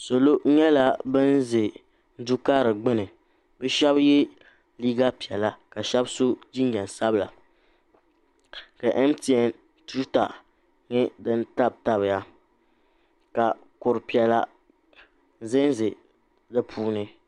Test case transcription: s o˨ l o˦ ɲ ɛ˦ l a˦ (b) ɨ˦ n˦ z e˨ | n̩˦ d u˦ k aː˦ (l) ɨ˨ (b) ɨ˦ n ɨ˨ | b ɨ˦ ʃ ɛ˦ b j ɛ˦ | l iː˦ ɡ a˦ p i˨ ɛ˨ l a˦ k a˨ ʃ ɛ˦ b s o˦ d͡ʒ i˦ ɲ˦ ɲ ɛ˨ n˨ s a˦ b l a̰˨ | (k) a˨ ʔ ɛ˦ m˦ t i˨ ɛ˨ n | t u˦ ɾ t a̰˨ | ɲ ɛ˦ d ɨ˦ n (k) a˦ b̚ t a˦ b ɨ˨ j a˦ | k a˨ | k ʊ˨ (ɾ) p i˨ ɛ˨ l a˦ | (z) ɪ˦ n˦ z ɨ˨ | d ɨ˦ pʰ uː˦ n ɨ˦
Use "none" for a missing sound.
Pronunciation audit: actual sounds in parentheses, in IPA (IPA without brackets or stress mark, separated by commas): b, ɾ, ɡ͡b, k, t, ɾ, z